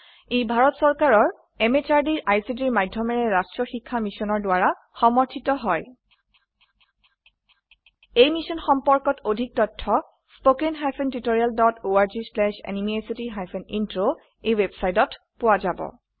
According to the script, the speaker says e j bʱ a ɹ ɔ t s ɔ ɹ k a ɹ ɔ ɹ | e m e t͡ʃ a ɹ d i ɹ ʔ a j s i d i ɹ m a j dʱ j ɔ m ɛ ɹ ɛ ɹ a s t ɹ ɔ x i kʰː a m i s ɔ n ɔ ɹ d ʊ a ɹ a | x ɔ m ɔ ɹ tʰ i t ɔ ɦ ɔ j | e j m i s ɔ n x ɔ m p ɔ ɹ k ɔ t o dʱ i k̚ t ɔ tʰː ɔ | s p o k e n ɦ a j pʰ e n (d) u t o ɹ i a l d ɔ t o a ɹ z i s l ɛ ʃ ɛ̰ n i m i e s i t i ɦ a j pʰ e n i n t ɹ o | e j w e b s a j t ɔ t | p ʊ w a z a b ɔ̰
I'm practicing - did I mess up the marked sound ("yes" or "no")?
yes